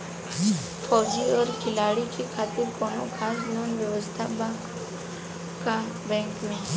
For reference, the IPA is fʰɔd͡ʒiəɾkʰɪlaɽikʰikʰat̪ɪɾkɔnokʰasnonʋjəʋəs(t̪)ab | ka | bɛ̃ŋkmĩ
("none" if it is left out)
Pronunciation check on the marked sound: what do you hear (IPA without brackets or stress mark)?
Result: t̪ʰ